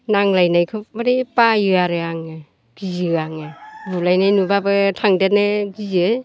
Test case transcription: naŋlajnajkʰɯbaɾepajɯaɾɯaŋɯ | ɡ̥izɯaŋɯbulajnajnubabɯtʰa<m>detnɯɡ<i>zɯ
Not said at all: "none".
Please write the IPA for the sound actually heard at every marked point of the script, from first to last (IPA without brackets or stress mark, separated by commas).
ŋ, i